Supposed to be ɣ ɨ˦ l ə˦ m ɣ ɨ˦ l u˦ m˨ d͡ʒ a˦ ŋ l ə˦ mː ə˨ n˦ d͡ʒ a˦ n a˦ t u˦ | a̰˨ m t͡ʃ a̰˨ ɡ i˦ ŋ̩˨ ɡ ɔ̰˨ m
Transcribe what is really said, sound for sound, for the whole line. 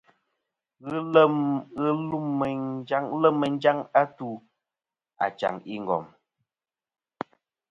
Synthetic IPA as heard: ɣ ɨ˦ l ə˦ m ɣ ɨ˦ l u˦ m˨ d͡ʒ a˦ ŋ l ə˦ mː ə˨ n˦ d͡ʒ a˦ ŋ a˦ t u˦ | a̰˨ t͡ʃ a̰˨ ŋ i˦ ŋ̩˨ ɡ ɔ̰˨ m